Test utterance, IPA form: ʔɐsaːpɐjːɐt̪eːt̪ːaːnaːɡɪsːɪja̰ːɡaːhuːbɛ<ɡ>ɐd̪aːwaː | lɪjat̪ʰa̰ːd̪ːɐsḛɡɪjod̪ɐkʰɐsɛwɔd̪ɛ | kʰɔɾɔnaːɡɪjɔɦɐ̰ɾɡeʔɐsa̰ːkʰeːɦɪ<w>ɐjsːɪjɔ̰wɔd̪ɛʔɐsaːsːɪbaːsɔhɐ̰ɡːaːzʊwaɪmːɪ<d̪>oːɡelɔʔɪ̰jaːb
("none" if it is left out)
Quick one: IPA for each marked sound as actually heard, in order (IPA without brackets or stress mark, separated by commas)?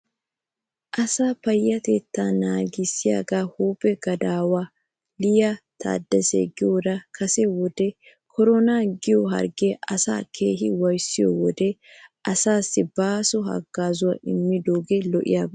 ɡ, w, d̪